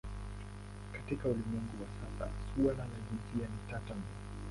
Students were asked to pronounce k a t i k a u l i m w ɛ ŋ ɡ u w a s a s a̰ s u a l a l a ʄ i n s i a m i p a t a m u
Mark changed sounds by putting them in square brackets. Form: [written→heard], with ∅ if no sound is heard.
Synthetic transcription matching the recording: k a t i k a u l i m w ɛ ŋ ɡ u w a s a s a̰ s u a l a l a ʄ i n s i a [m→n] i [p→t] a t a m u